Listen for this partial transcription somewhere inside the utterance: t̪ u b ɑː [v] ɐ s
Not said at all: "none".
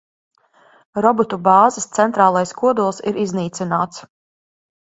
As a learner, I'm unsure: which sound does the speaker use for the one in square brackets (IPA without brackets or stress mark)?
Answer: z